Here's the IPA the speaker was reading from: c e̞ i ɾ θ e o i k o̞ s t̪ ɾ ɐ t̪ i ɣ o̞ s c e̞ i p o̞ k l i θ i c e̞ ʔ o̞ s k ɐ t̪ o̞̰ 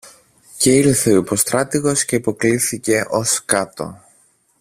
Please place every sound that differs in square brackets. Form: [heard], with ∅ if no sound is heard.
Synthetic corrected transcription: c e̞ i ɾ θ e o i [p] o̞ s t̪ ɾ ɐ t̪ i ɣ o̞ s c e̞ i p o̞ k l i θ i c e̞ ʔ o̞ s k ɐ t̪ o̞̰